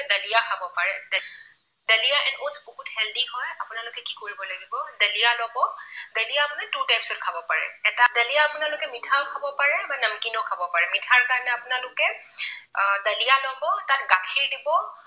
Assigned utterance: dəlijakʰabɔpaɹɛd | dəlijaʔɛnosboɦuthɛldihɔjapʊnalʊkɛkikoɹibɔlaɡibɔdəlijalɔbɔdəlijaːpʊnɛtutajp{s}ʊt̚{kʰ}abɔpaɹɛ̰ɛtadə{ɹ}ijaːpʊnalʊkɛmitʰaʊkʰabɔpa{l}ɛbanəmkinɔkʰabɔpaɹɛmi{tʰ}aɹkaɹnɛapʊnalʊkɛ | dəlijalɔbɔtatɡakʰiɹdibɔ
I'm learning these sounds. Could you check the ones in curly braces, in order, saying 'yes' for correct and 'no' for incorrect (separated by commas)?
yes, yes, no, no, yes